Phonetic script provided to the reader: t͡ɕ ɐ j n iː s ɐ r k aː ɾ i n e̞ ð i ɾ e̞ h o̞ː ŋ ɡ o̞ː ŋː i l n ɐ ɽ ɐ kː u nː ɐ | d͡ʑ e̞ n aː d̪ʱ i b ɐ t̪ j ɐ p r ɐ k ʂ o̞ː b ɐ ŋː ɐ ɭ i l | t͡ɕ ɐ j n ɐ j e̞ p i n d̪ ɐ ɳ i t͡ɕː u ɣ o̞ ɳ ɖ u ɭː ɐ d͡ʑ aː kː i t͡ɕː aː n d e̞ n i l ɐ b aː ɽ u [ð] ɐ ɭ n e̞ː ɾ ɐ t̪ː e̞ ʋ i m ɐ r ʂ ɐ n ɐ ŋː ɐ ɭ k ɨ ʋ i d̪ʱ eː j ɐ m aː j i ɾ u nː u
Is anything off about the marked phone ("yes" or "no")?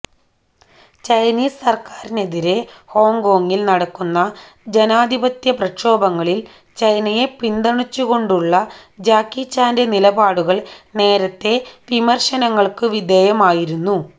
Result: yes